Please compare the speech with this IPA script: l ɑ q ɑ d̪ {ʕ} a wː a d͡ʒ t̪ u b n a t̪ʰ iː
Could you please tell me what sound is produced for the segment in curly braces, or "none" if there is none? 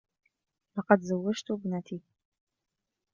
z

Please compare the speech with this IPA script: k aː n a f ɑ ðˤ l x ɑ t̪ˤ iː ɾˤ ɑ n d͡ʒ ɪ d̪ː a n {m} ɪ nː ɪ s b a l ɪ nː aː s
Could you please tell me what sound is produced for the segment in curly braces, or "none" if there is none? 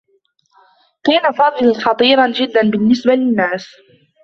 b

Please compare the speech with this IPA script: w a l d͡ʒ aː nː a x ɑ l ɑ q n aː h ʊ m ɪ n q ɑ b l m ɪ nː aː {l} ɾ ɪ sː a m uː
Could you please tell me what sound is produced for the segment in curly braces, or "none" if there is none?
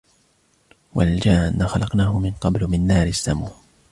none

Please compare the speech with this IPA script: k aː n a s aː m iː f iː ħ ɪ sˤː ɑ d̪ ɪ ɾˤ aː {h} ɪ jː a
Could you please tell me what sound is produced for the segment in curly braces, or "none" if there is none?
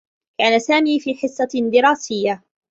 s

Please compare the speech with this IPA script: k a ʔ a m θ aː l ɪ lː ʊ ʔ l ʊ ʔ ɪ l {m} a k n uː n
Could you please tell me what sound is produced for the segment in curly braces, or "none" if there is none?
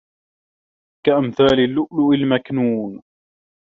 m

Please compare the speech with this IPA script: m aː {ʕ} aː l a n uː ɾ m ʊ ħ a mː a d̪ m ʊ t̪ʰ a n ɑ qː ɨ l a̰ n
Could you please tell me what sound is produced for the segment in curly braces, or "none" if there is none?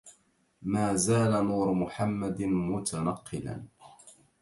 z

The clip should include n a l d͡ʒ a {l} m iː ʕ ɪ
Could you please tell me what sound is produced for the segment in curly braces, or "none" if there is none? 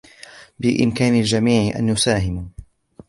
none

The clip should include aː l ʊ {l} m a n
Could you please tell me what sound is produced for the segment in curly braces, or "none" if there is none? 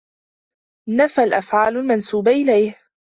l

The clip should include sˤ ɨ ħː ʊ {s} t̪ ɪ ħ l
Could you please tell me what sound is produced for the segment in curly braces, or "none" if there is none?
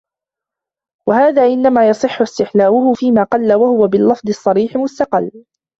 s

